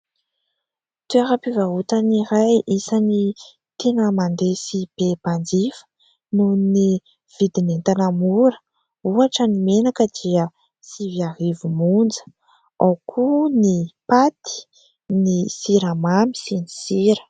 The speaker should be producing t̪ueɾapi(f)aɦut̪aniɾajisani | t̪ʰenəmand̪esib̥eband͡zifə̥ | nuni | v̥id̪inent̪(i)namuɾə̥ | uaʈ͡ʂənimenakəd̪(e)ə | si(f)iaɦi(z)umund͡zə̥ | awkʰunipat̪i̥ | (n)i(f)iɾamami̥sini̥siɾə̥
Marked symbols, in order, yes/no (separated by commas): no, no, no, no, no, yes, no